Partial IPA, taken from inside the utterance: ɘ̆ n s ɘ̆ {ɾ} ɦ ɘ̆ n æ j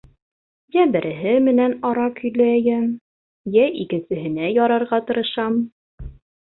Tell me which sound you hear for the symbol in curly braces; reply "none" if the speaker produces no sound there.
none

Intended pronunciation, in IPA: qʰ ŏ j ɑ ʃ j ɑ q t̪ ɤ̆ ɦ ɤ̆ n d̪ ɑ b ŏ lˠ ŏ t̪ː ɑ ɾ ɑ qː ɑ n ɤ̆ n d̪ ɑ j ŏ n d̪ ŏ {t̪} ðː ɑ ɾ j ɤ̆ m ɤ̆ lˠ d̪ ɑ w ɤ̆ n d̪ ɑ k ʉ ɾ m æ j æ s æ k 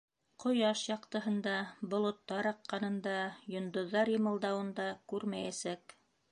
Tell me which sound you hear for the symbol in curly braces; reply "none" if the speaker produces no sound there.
none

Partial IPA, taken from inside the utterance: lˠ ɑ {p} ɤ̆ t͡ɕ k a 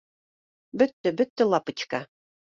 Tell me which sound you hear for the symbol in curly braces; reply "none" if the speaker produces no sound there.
p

